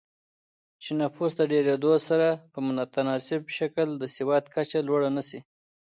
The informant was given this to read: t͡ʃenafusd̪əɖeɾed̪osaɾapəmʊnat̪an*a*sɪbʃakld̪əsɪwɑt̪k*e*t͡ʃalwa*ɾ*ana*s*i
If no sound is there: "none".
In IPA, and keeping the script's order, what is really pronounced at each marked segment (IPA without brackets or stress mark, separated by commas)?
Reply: ɑ, a, ɽ, s